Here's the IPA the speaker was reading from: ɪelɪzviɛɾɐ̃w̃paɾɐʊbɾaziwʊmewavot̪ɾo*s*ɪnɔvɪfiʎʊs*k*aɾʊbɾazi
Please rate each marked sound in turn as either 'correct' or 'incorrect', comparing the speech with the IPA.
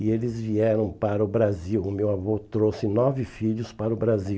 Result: correct, incorrect

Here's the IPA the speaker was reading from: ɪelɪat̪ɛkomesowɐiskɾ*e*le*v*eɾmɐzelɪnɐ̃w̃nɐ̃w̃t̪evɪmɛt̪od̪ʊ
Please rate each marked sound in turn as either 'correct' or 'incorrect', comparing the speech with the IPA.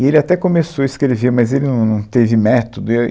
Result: correct, correct

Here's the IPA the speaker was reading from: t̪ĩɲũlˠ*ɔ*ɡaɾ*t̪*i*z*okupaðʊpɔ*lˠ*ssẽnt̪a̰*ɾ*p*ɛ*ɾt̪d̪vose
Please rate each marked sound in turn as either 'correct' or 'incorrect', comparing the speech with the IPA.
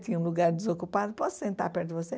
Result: incorrect, incorrect, correct, incorrect, correct, correct

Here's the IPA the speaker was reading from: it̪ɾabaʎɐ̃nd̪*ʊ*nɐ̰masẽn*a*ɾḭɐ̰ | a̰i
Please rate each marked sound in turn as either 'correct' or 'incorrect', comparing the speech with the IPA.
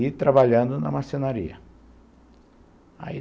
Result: correct, correct

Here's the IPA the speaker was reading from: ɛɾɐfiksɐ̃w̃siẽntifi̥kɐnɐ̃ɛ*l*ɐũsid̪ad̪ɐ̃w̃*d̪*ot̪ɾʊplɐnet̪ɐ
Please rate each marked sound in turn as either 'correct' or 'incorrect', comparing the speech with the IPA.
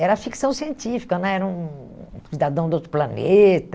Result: incorrect, correct

